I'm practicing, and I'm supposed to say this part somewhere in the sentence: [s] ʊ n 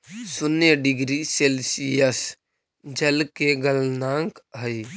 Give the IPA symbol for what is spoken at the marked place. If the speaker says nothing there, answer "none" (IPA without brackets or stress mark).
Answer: s